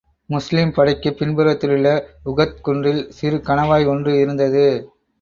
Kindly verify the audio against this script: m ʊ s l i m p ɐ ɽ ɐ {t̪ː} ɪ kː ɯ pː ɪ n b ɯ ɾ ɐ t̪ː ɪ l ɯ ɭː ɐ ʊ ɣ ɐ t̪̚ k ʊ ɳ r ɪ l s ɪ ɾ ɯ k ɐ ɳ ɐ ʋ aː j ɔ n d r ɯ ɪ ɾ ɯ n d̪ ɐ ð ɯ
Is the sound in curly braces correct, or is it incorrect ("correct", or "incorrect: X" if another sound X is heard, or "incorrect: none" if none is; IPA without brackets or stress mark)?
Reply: incorrect: none